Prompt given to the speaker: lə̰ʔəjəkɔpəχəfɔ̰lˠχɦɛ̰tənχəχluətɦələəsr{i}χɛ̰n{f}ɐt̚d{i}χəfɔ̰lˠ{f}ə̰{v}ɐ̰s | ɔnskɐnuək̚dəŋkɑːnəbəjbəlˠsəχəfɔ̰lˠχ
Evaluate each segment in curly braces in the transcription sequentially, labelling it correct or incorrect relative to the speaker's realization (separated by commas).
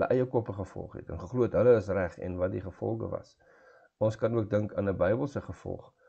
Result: incorrect, incorrect, correct, incorrect, correct